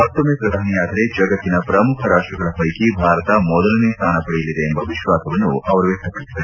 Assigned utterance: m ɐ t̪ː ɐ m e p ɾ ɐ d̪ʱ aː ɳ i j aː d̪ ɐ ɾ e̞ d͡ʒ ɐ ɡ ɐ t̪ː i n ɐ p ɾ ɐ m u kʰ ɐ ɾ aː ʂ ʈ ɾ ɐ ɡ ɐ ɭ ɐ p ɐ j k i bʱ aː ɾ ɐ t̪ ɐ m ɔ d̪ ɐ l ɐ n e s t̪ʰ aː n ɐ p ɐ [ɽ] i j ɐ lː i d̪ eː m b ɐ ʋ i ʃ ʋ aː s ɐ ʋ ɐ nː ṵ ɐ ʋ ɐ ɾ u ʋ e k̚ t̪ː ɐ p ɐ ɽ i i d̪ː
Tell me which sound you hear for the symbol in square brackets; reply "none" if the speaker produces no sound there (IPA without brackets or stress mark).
ɽ